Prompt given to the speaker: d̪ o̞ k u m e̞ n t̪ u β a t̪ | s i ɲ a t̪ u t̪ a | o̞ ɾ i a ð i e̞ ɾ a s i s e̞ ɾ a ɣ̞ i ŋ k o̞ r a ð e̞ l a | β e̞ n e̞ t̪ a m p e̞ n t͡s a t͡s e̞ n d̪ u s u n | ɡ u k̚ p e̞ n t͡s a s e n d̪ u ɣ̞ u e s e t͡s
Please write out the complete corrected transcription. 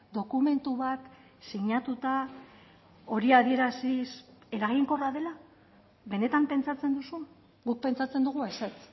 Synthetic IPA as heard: d̪ o̞ k u m e̞ n t̪ u β a t̪ | s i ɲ a t̪ u t̪ a | o̞ ɾ i a ð i e̞ ɾ a s i s e̞ ɾ a ɣ̞ i ŋ k o̞ r a ð e̞ l a | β e̞ n e̞ t̪ a m p e̞ n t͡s a t͡s e̞ n d̪ u s u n | ɡ u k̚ p e̞ n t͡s a t͡s e n d̪ u ɣ̞ u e s e t͡s